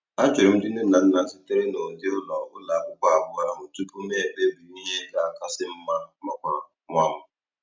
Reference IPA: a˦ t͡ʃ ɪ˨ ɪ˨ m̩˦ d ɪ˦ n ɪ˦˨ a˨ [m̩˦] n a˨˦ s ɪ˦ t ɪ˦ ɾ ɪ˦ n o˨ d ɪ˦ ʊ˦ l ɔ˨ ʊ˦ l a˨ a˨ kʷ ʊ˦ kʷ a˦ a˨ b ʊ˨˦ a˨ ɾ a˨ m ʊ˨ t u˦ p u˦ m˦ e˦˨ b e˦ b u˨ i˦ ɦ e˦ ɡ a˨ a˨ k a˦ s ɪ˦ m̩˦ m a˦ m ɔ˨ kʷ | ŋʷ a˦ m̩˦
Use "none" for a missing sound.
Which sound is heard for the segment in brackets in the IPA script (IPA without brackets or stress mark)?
n̩˦